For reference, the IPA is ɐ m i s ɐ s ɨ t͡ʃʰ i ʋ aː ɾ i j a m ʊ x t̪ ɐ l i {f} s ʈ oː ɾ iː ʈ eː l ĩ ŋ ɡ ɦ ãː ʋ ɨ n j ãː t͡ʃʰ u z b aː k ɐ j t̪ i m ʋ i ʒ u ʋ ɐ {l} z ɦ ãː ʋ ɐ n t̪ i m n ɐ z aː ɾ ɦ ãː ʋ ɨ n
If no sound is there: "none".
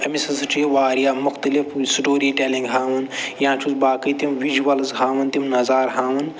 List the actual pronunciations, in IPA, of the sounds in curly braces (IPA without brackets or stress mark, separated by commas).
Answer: f, l